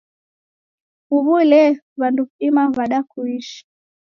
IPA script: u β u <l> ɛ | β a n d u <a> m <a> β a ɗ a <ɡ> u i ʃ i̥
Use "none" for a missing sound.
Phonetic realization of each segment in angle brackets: l, i, a, k

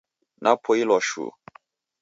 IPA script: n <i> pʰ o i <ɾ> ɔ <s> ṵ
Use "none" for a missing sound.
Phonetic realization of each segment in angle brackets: a, l, ʃ

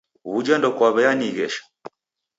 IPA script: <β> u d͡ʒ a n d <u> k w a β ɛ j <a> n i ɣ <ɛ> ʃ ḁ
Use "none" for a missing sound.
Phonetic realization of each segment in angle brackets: β, ɔ, a, ɛ

